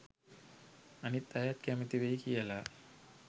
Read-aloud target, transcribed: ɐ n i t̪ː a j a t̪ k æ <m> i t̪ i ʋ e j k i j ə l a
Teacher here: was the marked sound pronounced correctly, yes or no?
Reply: yes